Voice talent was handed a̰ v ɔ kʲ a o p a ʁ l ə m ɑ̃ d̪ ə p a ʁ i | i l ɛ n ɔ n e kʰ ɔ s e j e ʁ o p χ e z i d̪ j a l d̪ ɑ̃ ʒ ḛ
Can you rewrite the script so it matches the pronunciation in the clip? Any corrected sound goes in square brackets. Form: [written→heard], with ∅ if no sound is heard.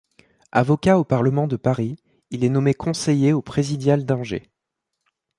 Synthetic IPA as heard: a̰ v ɔ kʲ a o p a ʁ l ə m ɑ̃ d̪ ə p a ʁ i | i l ɛ n ɔ [n→m] e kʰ [ɔ→ɔ̃] s e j e [ʁ→∅] o p χ e z i d̪ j a l d̪ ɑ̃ ʒ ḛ